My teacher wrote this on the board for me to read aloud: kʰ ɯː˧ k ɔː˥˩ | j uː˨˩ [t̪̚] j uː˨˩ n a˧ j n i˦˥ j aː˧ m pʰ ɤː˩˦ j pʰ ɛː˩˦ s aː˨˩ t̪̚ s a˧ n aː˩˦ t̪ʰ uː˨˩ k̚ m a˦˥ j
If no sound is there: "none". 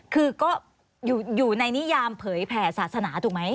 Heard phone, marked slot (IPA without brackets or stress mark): none